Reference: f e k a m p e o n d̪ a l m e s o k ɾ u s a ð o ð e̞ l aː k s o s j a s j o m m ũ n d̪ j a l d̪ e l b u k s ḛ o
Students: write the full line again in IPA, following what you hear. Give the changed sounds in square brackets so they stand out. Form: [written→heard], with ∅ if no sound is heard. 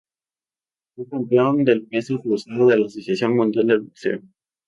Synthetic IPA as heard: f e k a m p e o n d̪ [a→e] l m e s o k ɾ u s a ð o ð e̞ l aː [k→∅] s o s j a s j o [m→ŋ] m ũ n d̪ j a l d̪ e l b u k s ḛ o